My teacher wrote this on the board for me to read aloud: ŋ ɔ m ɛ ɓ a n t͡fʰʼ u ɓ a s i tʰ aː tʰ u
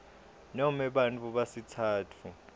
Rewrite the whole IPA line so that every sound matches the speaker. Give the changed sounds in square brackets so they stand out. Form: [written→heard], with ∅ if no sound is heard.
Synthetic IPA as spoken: [ŋ→n] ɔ m ɛ ɓ a n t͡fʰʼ u ɓ a s i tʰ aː tʰ u